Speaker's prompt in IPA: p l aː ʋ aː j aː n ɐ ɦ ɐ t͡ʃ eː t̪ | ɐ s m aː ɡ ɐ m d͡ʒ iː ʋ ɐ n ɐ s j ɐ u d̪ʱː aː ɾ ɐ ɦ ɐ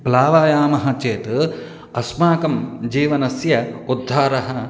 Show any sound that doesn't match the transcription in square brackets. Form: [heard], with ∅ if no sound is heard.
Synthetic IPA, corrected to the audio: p l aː ʋ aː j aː [m] ɐ ɦ ɐ t͡ʃ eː t̪ | ɐ s m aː [k] ɐ m d͡ʒ iː ʋ ɐ n ɐ s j ɐ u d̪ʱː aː ɾ ɐ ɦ ɐ

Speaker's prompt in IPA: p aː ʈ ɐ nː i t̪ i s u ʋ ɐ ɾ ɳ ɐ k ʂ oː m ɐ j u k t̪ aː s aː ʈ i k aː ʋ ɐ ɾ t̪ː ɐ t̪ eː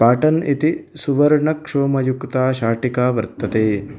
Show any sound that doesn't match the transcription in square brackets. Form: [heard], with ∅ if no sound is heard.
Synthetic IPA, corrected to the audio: p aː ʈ ɐ [n] i t̪ i s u ʋ ɐ ɾ ɳ ɐ k ʂ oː m ɐ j u k t̪ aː [ʃ] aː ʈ i k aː ʋ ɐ ɾ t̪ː ɐ t̪ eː

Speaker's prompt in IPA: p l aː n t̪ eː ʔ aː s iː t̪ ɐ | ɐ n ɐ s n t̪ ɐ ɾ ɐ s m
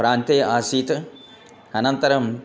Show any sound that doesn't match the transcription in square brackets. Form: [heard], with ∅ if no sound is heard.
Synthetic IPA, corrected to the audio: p [ɾ] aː n t̪ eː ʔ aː s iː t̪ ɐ | ɐ n ɐ [∅] n t̪ ɐ ɾ ɐ [∅] m

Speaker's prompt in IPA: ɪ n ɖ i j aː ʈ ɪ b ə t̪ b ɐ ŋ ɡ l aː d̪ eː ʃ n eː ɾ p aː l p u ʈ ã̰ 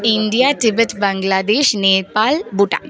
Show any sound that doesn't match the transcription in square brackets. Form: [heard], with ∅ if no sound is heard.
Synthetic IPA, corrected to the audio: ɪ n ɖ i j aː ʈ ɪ b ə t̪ b ɐ ŋ ɡ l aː d̪ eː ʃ n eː ɾ p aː l [b] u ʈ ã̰

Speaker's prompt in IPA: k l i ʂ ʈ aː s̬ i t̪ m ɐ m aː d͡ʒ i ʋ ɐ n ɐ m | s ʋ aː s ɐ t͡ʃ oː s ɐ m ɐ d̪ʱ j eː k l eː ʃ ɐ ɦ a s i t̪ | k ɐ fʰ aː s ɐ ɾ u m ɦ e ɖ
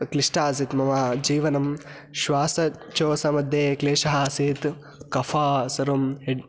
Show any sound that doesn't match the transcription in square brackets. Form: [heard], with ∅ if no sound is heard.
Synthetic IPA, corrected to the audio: k l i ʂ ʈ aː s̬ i t̪ m ɐ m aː d͡ʒ [iː] ʋ ɐ n ɐ m | [ʃ] ʋ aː s ɐ t͡ʃ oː s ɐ m ɐ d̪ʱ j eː k l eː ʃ ɐ ɦ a s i t̪ | k ɐ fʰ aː s ɐ ɾ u m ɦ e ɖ

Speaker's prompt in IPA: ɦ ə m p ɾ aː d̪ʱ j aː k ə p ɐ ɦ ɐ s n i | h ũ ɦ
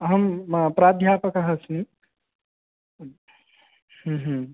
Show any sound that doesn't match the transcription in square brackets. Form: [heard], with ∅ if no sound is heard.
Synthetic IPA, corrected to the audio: ɦ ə m p ɾ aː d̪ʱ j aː [p] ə [k] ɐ ɦ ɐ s n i | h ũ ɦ

